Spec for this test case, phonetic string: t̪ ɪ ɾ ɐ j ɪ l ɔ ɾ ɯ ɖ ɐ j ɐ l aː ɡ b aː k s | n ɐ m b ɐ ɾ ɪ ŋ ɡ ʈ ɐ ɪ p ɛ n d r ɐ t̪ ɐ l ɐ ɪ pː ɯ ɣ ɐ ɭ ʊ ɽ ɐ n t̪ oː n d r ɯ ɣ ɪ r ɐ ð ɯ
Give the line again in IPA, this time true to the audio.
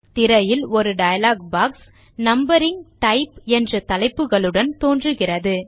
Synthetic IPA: t̪ ɪ ɾ ɐ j ɪ l ɔ ɾ ɯ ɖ ɐ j ɐ l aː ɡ b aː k s | n ɐ m b ɐ ɾ ɪ ŋ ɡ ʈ ɐ ɪ p ɛ n d r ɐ t̪ ɐ l ɐ ɪ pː ɯ ɣ ɐ ɭ ɯ ɽ ɐ n t̪ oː n d r ɯ ɣ ɪ r ɐ ð ɯ